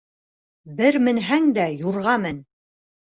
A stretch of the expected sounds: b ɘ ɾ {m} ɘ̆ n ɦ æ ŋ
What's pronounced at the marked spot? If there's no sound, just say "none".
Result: m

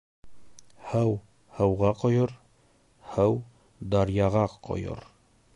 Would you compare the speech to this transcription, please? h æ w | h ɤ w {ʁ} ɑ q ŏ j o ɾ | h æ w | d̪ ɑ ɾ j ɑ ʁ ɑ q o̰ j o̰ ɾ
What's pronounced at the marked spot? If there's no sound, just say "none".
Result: ʁ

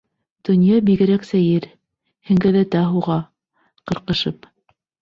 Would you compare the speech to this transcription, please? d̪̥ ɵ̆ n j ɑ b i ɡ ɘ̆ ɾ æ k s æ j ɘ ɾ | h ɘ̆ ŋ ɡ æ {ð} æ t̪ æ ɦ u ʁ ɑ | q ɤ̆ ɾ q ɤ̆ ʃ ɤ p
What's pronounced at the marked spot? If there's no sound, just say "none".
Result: ð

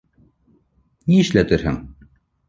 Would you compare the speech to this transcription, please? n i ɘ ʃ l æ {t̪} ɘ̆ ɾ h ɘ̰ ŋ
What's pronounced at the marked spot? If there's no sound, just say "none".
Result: t̪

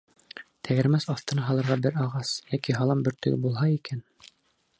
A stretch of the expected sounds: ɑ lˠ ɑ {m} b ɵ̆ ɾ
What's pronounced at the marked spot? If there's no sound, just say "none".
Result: m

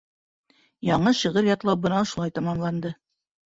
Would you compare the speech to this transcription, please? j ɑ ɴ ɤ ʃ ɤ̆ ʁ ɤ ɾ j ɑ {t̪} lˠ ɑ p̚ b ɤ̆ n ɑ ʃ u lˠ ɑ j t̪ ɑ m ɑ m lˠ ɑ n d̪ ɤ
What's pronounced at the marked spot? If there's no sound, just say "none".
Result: t̪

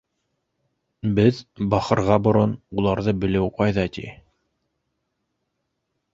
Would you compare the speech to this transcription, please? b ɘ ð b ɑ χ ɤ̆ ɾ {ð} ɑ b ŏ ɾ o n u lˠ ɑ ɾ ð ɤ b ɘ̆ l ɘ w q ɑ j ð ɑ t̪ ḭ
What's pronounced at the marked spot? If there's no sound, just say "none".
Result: ʁ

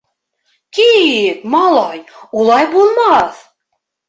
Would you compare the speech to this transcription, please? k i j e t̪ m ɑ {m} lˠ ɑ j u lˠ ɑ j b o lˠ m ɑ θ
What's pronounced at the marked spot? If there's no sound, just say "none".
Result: none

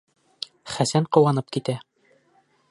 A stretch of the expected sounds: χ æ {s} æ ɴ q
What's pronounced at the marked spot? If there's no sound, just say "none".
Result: s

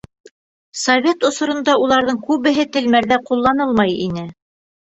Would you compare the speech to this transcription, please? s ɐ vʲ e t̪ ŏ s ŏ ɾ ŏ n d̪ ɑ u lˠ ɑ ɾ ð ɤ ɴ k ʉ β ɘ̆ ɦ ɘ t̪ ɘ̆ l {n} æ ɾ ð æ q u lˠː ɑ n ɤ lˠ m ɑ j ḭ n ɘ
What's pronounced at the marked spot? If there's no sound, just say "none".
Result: m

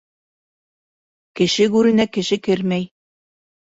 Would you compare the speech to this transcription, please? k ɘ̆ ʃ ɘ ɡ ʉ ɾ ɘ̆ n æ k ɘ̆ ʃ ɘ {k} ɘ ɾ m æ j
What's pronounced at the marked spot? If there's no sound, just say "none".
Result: k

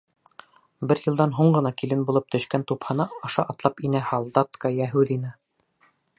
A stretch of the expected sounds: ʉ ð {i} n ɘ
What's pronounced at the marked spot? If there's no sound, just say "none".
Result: i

